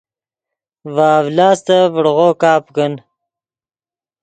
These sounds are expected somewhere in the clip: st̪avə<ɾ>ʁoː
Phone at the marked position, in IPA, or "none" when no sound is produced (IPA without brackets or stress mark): ɽ